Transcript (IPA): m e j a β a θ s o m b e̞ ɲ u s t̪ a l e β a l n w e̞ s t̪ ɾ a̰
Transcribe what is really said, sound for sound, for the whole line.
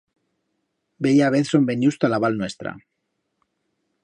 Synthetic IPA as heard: b e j a β e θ s o m b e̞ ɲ u s t̪ a l a β a l n w e̞ s t̪ ɾ a̰